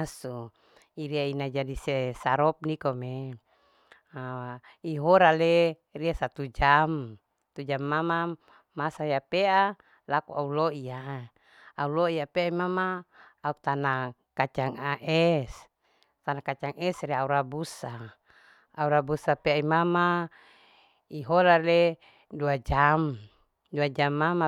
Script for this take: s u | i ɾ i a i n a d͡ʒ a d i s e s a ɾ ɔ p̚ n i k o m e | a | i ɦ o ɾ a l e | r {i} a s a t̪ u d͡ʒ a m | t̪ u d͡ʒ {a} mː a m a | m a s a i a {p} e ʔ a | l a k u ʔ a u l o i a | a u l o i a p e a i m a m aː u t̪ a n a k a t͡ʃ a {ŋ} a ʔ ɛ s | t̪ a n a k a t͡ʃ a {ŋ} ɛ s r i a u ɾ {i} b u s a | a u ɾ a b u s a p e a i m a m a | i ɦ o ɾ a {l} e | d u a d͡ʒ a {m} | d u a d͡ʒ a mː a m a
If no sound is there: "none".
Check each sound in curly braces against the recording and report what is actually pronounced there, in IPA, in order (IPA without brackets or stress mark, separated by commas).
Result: i, a, p, ŋ, ŋ, a, l, m